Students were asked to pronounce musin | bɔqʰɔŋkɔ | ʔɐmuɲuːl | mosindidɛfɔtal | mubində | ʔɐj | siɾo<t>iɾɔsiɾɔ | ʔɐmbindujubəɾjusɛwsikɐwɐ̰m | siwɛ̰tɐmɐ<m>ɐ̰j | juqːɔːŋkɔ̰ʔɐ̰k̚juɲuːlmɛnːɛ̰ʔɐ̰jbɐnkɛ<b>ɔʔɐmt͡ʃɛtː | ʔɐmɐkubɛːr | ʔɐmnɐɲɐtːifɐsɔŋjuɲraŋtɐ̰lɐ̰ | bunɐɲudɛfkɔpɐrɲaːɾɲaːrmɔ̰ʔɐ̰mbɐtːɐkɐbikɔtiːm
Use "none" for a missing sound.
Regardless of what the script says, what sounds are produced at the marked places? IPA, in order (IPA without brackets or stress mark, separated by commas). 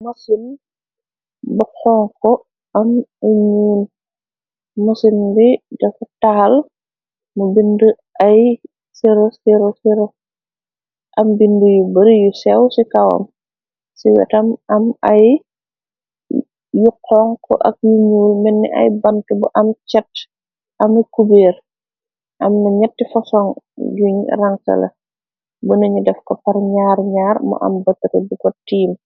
s, m, b